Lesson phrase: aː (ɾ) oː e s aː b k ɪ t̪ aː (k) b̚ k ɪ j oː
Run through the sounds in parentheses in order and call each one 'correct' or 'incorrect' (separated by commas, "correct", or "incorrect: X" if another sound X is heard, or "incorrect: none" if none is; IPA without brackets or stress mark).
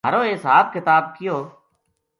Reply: correct, incorrect: none